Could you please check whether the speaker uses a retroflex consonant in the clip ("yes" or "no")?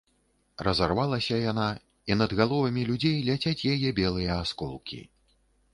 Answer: no